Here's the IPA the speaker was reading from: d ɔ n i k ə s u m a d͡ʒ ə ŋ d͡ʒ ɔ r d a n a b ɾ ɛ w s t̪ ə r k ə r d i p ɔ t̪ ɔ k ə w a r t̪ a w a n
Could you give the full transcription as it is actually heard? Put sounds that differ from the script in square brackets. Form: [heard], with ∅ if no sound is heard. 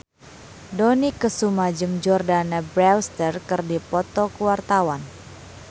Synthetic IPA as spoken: d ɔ n i k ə s u m a d͡ʒ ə [m] d͡ʒ ɔ r d a n a b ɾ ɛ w s t̪ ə r k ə r d i p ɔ t̪ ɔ k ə w a r t̪ a w a n